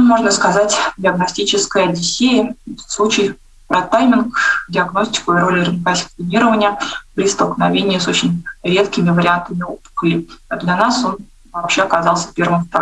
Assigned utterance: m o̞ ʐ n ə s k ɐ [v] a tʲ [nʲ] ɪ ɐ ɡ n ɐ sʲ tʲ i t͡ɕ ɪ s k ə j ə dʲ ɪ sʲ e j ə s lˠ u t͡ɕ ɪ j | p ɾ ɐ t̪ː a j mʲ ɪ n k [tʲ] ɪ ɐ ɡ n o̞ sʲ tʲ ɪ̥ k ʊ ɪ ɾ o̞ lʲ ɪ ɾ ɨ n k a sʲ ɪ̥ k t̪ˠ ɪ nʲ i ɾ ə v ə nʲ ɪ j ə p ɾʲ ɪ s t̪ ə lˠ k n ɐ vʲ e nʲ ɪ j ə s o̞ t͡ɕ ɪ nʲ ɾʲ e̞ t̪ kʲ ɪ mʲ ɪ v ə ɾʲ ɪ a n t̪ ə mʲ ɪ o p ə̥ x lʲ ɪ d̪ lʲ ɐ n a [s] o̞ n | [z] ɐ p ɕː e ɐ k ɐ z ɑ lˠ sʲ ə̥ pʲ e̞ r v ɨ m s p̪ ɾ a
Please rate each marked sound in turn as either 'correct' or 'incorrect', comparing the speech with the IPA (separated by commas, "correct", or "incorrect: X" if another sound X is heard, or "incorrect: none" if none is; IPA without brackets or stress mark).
incorrect: z, incorrect: dʲ, incorrect: dʲ, correct, incorrect: v